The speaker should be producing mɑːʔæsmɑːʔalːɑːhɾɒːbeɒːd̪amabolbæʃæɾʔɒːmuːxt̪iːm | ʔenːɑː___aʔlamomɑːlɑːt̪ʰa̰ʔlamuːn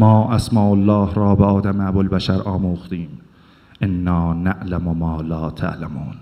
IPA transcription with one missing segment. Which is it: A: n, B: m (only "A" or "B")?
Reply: A